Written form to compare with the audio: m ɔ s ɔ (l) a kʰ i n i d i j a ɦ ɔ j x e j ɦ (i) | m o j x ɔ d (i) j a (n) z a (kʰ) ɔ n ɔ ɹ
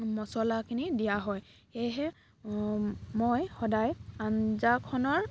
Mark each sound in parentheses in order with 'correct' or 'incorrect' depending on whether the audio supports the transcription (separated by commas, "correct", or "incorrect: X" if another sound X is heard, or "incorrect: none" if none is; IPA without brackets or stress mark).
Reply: correct, incorrect: ɛ, incorrect: a, correct, correct